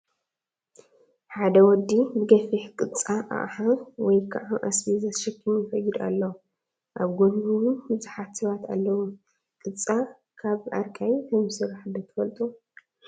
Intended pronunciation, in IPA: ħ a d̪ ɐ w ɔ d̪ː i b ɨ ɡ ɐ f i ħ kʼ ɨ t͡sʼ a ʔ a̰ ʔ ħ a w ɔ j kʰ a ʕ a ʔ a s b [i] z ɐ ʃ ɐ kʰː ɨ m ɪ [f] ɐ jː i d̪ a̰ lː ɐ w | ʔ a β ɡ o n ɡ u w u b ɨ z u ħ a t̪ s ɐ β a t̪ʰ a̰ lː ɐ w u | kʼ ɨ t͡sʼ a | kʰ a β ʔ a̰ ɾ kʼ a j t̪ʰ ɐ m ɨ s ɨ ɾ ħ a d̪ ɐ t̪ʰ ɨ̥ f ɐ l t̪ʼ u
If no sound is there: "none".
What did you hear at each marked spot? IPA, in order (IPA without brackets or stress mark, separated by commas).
i, f